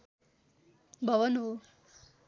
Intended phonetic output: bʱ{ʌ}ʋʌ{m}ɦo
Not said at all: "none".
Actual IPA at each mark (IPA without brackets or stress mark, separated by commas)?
ʌ, n